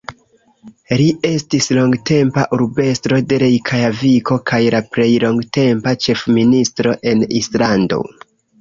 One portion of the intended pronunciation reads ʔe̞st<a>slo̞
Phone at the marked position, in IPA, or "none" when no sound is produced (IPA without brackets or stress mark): i